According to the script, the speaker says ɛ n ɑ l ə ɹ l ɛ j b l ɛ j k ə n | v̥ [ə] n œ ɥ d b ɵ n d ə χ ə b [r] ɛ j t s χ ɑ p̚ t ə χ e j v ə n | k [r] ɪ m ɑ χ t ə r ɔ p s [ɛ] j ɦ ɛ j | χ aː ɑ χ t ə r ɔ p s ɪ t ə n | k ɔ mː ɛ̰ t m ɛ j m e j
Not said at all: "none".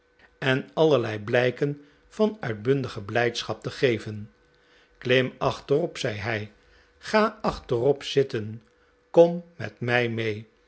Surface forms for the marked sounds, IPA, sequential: ɑ, l, l, ɛ

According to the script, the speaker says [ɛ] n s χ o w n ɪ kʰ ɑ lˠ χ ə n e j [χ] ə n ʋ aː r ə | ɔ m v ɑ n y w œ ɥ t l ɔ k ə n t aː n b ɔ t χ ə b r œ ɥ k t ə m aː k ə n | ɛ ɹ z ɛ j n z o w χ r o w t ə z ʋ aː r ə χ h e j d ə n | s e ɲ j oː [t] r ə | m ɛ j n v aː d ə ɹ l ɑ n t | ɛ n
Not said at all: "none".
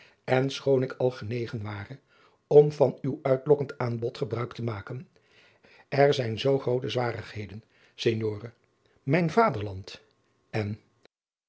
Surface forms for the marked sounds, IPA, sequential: ɛ, χ, none

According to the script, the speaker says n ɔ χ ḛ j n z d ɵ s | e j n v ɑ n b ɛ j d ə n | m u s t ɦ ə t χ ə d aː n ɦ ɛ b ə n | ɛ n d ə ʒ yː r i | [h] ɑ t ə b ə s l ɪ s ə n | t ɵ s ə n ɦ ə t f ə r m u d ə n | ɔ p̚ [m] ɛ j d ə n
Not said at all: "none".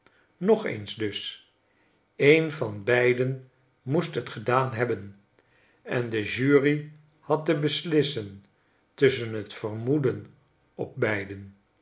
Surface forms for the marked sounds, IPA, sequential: h, b

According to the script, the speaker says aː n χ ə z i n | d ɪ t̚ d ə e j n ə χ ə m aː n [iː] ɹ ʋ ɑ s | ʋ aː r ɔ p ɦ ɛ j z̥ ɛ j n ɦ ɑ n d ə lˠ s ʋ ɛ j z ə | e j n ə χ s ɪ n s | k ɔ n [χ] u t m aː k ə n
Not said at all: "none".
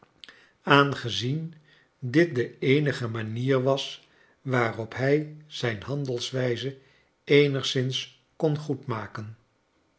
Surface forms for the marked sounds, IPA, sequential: iː, χ

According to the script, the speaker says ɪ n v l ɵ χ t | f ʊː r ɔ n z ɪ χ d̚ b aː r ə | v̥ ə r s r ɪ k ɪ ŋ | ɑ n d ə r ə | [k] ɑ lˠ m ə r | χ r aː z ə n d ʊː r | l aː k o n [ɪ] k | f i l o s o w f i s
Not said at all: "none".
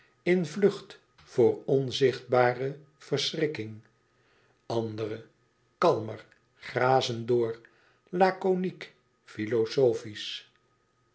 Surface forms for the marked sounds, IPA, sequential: k, i

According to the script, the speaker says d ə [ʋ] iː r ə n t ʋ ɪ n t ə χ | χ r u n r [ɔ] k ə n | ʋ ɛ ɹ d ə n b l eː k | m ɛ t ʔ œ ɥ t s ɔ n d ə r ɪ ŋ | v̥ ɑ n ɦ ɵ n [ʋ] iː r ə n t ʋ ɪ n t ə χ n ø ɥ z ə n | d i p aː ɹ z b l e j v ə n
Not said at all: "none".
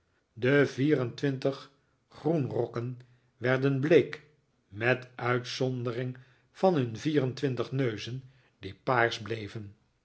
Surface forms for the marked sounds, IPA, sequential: v, ɔ, v

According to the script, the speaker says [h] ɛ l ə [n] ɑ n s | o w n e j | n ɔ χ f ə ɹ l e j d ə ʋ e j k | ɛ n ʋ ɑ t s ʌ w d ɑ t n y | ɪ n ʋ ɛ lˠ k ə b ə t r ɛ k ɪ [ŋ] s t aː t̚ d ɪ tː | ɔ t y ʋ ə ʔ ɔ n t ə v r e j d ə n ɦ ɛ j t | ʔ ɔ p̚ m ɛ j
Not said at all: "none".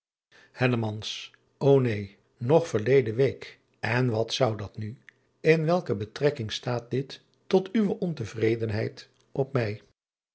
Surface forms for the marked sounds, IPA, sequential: h, m, ŋ

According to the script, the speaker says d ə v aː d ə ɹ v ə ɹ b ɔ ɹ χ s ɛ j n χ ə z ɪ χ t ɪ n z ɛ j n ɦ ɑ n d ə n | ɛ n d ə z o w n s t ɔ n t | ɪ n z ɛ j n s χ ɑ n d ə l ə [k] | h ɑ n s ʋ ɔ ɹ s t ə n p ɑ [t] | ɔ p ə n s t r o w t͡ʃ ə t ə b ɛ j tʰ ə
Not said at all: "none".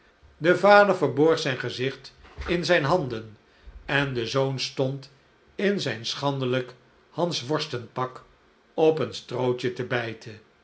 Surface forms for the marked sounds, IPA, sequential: k, k

